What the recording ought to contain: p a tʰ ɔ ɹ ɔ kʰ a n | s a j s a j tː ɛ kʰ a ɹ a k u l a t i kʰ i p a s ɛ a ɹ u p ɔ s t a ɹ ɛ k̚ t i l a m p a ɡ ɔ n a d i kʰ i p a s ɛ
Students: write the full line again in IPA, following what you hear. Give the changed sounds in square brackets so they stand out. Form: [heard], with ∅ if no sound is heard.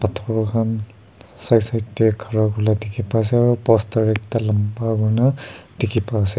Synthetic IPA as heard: p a tʰ ɔ ɹ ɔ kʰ a n | s a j s a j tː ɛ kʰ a ɹ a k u l a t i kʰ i p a s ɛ a ɹ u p ɔ s t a ɹ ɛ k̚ t [a] l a m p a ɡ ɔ n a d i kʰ i p a s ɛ